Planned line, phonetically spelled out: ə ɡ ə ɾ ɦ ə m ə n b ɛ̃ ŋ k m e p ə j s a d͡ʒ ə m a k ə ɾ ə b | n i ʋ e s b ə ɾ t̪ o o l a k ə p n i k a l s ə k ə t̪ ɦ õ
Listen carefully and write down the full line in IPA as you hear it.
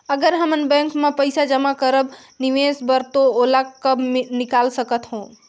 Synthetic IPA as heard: ə ɡ ə ɾ ɦ ə m ə n b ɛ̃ ŋ k m e p ə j s a d͡ʒ ə m a k ə ɾ ə b | n i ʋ e s b ə ɾ t̪ o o l a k ə b n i k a l s ə k ə t̪ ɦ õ